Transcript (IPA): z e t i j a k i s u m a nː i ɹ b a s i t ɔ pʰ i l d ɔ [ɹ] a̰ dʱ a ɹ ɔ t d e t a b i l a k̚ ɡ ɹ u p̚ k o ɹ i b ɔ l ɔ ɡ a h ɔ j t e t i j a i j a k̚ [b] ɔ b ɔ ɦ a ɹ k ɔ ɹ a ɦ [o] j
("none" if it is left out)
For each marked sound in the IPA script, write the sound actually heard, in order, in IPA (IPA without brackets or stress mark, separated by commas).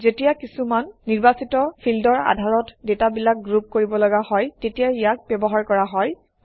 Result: ɹ, b, ɔ